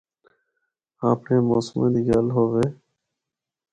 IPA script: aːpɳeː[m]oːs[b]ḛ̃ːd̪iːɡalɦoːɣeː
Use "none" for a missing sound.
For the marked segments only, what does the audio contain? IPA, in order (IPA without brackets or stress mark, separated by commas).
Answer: m, m